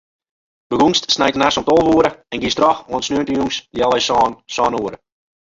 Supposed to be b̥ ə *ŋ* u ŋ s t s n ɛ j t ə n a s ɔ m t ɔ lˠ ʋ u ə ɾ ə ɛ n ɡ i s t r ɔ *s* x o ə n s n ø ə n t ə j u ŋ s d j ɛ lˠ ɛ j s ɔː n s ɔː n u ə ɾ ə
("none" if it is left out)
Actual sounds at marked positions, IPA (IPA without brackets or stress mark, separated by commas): ɡ, none